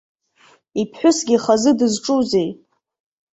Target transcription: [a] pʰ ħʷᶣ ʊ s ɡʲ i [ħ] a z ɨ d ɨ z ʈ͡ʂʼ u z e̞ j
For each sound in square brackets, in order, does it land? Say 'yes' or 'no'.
no, no

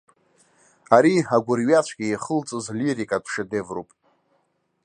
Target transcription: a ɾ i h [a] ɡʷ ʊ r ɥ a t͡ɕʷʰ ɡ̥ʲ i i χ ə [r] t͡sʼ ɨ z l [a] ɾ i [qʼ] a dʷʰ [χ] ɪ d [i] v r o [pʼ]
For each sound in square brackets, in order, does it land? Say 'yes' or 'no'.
yes, no, no, no, no, no, yes

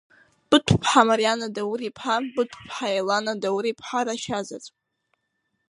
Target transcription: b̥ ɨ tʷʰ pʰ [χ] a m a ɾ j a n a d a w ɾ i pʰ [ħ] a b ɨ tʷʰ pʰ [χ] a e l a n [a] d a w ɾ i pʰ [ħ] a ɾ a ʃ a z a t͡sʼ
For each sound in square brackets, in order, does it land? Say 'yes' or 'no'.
no, yes, no, yes, yes

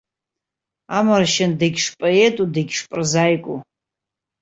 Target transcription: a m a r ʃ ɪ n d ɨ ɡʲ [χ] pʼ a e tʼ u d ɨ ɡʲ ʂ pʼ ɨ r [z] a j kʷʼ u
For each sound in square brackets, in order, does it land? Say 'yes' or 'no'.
no, yes

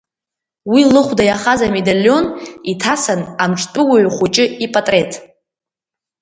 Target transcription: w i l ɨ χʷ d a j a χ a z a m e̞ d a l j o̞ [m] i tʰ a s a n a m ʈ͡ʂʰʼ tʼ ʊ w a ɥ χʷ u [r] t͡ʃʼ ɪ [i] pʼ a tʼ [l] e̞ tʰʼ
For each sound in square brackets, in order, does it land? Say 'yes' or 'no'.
no, no, yes, no

